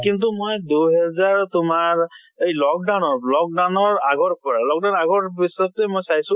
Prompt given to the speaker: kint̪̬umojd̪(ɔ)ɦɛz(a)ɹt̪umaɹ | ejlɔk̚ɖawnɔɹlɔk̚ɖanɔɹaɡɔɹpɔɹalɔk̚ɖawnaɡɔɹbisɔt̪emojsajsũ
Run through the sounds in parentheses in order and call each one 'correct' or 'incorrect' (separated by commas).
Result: incorrect, correct